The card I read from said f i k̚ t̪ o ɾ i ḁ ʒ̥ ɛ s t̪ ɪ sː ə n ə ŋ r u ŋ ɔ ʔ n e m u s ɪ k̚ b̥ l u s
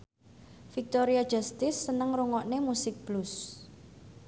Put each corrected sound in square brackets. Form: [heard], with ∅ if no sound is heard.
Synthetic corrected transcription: f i k̚ t̪ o ɾ i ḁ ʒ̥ [a] s t̪ ɪ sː ə n ə ŋ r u ŋ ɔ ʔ n e m u s ɪ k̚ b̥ l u s